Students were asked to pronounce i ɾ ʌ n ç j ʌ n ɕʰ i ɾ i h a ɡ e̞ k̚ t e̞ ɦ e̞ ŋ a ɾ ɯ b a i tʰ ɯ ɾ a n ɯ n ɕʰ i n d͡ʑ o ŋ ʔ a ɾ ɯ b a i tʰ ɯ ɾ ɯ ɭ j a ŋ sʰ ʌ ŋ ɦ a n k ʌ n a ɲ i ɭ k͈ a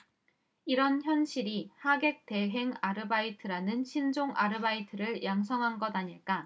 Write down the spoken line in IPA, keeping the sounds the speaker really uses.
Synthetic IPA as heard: i ɾ ʌ n ç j ʌ n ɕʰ i ɾ i h a ɡ e̞ k̚ t e̞ ɦ e̞ ŋ a ɾ ɯ b a i tʰ ɯ ɾ a n ɯ n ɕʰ i n d͡ʑ o ŋ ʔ a ɾ ɯ b a i tʰ ɯ ɾ ɯ ɭ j a ŋ sʰ ʌ ŋ ɦ a n ɡ ʌ d a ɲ i ɭ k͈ a